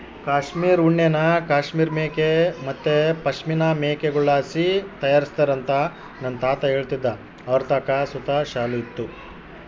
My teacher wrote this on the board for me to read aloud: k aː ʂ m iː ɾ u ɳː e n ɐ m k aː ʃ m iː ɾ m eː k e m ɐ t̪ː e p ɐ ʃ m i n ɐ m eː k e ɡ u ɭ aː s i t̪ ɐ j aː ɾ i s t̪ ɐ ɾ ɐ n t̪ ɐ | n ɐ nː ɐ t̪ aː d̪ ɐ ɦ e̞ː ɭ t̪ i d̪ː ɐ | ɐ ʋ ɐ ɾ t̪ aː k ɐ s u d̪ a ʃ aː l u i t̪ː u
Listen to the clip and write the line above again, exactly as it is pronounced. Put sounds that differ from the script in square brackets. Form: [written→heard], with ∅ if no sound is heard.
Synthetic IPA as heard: k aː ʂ m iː ɾ u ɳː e n ɐ [m→∅] k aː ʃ m iː ɾ m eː k e m ɐ t̪ː e p ɐ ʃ m i n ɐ m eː k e ɡ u ɭ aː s i t̪ ɐ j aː ɾ i s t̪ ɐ ɾ ɐ n t̪ ɐ | n ɐ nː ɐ t̪ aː [d̪→t̪] ɐ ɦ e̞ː ɭ t̪ i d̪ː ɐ | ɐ ʋ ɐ ɾ t̪ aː k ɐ s u [d̪→t̪] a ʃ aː l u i t̪ː u